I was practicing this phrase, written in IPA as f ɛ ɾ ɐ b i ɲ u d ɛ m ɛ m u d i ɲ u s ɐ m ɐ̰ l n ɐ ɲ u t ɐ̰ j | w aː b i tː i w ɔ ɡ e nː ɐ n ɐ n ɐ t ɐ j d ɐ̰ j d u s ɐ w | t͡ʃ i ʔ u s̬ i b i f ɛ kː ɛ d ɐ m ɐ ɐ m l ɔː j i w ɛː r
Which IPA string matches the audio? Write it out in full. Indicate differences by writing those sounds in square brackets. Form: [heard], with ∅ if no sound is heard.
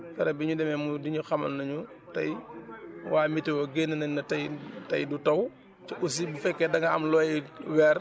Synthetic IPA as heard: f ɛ ɾ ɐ b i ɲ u d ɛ m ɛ m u d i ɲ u [x] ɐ m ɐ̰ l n ɐ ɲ u t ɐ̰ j | w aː [m] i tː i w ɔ ɡ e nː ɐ n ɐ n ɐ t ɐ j [t] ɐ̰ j d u [t] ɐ w | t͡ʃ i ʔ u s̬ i b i f ɛ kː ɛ d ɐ [ŋ] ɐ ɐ m l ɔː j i w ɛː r